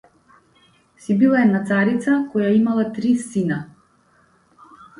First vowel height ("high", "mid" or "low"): high